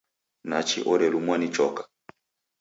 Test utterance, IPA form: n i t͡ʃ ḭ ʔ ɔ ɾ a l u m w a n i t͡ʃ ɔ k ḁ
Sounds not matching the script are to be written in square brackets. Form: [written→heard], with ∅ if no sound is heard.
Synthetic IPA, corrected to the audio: n [i→a] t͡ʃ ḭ ʔ ɔ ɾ [a→ɛ] l u m w a n i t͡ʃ ɔ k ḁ